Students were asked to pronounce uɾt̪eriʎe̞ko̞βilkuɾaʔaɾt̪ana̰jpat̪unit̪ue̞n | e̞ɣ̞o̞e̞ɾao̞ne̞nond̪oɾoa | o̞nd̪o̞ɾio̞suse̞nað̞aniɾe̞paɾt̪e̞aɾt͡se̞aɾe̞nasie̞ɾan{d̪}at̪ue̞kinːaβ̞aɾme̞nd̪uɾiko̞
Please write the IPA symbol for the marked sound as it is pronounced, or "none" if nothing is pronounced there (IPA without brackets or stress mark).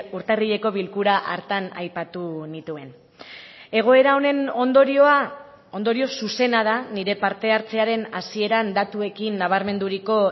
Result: d̪